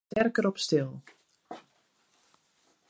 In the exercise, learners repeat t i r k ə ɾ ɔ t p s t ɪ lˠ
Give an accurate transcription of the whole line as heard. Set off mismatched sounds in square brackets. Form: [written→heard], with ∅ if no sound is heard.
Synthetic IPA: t [i→ɛ] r k ə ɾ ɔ [t→∅] p s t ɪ lˠ